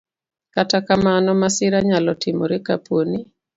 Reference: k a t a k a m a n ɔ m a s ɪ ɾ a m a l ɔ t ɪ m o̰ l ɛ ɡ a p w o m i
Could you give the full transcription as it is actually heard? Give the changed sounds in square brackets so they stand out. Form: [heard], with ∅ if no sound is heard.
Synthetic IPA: k a t a k a m a n ɔ m a s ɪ ɾ a [ɲ] a l ɔ t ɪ m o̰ [ɾ] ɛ [k] a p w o [n] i